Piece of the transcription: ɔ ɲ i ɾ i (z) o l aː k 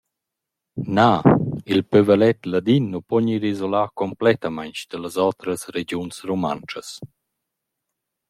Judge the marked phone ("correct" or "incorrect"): correct